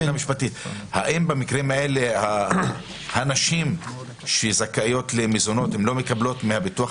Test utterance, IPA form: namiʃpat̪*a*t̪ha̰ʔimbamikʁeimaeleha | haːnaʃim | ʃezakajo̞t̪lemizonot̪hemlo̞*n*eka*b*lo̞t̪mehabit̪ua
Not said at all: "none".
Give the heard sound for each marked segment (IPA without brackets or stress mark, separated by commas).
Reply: i, m, b